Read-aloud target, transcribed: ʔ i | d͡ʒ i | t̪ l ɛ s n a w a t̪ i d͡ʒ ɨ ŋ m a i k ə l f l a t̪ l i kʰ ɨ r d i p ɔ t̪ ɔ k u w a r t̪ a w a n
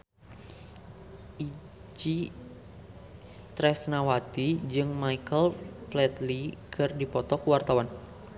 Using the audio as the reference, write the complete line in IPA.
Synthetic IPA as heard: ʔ i | d͡ʒ i | t̪ ɾ ɛ s n a w a t̪ i d͡ʒ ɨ ŋ m a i k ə l f l ɛ t̪ l i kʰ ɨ r d i p ɔ t̪ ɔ k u w a r t̪ a w a n